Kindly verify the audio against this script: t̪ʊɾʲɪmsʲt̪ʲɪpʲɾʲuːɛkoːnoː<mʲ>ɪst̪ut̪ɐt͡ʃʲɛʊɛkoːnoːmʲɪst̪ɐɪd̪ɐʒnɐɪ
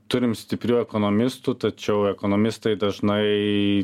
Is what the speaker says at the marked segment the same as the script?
yes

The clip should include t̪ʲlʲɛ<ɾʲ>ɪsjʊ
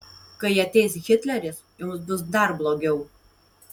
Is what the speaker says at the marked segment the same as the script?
yes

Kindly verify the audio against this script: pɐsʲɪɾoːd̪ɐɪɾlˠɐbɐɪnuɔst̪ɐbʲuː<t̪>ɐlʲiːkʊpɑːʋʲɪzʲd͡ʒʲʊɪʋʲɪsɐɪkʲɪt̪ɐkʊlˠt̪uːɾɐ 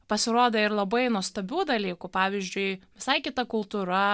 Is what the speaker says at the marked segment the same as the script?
no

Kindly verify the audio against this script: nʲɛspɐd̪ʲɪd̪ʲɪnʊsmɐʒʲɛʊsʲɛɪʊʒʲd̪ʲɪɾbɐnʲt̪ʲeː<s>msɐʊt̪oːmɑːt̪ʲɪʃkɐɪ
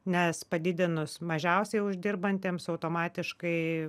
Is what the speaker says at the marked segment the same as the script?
no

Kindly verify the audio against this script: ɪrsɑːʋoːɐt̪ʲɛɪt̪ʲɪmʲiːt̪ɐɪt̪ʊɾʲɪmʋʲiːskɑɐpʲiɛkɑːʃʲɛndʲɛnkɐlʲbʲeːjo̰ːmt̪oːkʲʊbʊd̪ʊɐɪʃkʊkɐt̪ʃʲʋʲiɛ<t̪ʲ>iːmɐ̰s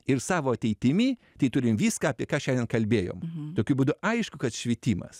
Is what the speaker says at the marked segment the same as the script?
yes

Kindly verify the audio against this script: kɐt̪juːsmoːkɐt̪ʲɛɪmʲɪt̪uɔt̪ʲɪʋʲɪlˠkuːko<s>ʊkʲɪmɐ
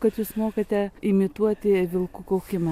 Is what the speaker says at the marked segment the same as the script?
no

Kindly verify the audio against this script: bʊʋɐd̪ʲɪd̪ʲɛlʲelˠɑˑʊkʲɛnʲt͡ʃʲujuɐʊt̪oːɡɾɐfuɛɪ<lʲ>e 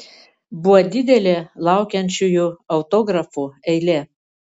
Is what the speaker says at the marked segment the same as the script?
yes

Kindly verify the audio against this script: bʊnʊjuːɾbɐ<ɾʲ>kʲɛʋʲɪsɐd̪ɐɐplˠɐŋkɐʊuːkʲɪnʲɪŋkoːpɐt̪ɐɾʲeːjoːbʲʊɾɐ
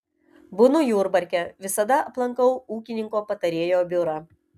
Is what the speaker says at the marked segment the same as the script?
yes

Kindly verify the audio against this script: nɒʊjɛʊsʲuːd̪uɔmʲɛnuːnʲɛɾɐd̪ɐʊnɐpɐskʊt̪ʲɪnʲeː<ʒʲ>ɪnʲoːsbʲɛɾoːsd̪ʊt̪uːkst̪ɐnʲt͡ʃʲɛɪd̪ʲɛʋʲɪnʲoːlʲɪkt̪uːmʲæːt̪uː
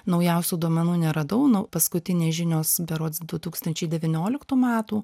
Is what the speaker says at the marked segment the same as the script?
yes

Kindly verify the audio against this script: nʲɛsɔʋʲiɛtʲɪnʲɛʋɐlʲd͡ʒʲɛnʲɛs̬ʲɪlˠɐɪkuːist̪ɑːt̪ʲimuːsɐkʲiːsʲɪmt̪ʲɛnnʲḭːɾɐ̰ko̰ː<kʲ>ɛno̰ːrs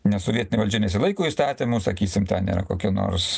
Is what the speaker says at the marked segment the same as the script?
yes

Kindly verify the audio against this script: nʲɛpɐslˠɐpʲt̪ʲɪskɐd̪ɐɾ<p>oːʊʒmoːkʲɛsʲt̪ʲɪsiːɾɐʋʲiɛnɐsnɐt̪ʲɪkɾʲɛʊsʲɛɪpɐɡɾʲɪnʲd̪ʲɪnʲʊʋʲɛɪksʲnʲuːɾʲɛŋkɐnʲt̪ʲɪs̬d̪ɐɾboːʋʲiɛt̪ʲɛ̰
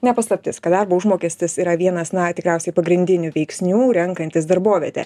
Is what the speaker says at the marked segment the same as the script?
no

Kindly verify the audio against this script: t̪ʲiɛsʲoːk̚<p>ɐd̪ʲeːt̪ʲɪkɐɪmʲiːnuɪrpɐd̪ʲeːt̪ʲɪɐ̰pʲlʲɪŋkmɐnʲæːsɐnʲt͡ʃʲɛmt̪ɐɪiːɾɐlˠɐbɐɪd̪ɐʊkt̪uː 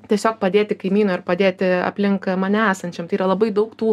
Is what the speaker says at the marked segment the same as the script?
yes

